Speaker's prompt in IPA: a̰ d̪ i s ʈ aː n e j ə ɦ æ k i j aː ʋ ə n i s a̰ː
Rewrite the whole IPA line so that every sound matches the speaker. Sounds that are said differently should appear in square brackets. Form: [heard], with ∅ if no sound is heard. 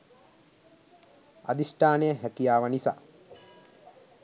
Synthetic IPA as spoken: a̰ d̪ i s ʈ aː n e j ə ɦ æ k i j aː ʋ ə n i s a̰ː